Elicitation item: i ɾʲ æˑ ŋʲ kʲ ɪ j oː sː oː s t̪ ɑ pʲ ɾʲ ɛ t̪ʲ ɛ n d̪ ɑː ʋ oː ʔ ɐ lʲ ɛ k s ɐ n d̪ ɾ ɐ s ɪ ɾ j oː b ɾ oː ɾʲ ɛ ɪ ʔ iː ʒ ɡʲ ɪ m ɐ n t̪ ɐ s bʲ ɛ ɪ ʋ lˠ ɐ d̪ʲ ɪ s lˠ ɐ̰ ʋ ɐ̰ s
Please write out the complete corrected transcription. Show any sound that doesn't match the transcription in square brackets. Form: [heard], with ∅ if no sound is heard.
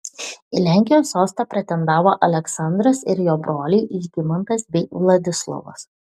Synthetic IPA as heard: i [lʲ] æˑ ŋʲ kʲ ɪ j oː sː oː s t̪ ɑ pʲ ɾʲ ɛ t̪ʲ ɛ n d̪ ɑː ʋ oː ʔ ɐ lʲ ɛ k s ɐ n d̪ ɾ ɐ s ɪ ɾ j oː b ɾ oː [lʲ] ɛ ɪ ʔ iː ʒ ɡʲ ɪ m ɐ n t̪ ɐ s bʲ ɛ ɪ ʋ lˠ ɐ d̪ʲ ɪ s lˠ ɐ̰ ʋ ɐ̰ s